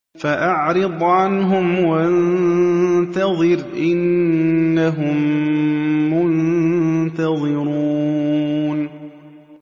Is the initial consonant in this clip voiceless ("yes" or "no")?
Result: yes